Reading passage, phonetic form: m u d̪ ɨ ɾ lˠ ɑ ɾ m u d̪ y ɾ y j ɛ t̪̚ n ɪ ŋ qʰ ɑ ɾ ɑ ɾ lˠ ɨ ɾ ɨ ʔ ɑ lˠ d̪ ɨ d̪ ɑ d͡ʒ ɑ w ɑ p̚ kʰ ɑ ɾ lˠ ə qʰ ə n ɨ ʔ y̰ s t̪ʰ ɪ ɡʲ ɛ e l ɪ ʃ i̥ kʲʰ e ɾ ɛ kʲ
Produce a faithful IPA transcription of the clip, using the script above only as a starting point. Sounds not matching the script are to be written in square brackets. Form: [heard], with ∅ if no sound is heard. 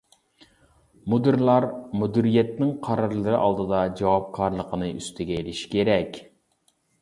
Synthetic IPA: m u d̪ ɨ ɾ lˠ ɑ ɾ m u d̪ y ɾ [i] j ɛ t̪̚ n ɪ ŋ qʰ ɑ ɾ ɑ ɾ lˠ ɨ ɾ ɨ ʔ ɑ lˠ d̪ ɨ d̪ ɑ d͡ʒ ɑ w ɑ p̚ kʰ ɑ ɾ lˠ ə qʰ ə n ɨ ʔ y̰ s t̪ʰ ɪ ɡʲ ɛ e l ɪ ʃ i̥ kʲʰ e ɾ ɛ kʲ